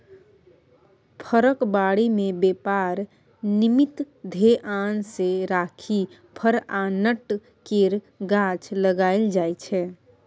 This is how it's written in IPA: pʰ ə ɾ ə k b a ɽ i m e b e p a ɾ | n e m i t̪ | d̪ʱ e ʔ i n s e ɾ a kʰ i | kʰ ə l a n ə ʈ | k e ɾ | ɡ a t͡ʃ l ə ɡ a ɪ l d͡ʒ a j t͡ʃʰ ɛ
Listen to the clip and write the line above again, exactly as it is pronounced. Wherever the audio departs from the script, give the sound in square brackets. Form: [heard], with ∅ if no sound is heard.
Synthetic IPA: pʰ ə ɾ ə k b a ɽ i m e b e p a ɾ | n [i] m i t̪ | d̪ʱ e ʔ [a] n s e ɾ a kʰ i | [pʰ] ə [ɾ] a n ə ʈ | k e ɾ | ɡ a t͡ʃ l ə ɡ a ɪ l d͡ʒ a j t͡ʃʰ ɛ